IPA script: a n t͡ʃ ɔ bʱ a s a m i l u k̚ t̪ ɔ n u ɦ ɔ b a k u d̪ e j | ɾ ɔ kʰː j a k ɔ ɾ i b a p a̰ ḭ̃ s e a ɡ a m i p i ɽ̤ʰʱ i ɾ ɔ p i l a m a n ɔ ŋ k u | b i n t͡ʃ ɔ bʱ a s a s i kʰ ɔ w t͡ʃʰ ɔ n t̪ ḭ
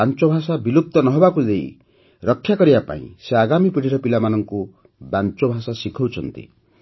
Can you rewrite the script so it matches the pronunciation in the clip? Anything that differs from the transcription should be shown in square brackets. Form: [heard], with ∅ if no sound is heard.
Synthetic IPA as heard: a n t͡ʃ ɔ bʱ a s a [b] i l u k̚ t̪ ɔ n [ɔ] ɦ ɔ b a k u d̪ e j | ɾ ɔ kʰː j a k ɔ ɾ i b a p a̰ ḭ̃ s e a ɡ a m i p i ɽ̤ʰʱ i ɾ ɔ p i l a m a n ɔ ŋ k u | b [a] n t͡ʃ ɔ bʱ a s a s i kʰ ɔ w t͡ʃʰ ɔ n t̪ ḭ